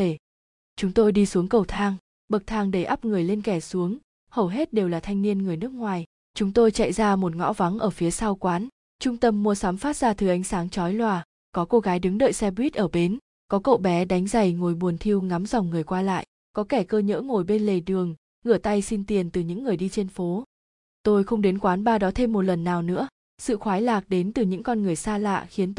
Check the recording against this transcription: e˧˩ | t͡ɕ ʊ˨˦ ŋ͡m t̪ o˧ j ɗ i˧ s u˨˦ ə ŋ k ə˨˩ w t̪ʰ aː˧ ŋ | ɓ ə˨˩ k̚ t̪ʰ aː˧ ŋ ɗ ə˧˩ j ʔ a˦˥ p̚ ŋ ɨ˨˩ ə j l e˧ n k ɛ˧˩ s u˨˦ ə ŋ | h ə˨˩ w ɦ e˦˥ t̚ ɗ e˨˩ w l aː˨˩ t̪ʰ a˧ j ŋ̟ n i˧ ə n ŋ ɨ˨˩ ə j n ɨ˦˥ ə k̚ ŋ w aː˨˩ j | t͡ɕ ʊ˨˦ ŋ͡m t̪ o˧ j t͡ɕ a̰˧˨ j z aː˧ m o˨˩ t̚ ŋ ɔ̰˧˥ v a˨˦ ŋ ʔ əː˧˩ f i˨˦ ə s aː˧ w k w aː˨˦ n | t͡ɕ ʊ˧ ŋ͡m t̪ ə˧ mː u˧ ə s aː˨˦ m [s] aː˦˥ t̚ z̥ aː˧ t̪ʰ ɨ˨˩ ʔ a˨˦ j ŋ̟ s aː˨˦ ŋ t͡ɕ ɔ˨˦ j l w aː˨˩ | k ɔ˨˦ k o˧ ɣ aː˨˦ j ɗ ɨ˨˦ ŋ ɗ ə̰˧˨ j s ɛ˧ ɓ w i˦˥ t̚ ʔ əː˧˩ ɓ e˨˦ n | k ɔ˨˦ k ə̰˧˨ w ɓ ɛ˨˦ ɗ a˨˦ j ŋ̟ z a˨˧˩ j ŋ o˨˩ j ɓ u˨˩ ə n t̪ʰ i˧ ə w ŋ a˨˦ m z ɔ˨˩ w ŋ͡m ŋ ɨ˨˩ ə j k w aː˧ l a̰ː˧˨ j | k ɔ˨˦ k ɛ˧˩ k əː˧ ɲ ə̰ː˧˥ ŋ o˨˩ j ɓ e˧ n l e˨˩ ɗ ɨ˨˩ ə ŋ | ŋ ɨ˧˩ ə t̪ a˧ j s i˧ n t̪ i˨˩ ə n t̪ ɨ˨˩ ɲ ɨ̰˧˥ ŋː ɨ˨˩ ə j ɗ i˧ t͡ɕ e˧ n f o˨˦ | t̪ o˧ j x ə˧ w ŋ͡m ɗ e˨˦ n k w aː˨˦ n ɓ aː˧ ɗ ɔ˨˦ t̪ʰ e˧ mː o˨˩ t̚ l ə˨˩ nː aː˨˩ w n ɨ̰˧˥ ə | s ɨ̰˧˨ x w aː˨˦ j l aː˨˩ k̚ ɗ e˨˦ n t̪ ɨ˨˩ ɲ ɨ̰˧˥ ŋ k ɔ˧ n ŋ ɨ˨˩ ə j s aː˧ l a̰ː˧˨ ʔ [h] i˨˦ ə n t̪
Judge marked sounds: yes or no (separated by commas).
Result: no, no